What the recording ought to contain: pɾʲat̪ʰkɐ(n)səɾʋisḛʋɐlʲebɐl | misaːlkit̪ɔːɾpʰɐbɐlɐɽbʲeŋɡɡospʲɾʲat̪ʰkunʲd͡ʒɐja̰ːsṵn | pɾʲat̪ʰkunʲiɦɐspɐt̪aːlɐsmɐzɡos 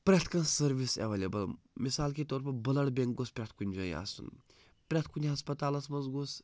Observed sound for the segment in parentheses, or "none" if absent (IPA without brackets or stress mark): n